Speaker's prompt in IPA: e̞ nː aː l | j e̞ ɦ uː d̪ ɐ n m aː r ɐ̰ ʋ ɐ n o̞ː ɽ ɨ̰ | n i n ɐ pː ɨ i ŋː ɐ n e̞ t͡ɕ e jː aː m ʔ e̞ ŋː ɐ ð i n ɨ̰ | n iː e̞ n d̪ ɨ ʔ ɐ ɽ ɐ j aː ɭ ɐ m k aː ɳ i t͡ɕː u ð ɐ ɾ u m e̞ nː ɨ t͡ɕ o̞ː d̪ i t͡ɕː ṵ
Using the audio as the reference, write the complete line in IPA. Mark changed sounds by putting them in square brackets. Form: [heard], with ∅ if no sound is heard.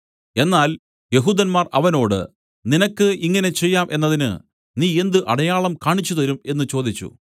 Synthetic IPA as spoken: e̞ nː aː l | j e̞ ɦ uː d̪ ɐ n m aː r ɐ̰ ʋ ɐ n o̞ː ɽ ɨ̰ | n i n ɐ [kː] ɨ i ŋː ɐ n e̞ t͡ɕ e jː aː m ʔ e̞ [nː] ɐ ð i n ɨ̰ | n iː e̞ n d̪ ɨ ʔ ɐ ɽ ɐ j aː ɭ ɐ m k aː ɳ i t͡ɕː u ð ɐ ɾ u m e̞ nː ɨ t͡ɕ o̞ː d̪ i t͡ɕː ṵ